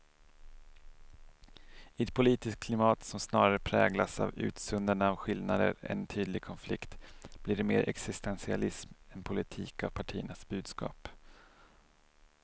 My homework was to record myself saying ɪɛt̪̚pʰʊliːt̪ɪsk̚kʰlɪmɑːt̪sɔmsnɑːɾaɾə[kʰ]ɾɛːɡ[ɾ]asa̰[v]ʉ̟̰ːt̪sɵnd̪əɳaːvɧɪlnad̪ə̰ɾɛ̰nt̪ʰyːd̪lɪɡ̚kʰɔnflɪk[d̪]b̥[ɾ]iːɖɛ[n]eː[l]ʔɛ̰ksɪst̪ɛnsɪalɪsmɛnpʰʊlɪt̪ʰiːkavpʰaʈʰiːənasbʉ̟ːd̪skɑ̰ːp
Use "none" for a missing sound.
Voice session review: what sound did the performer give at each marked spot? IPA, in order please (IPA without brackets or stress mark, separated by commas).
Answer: pʰ, l, v, t̪, l, m, ɾ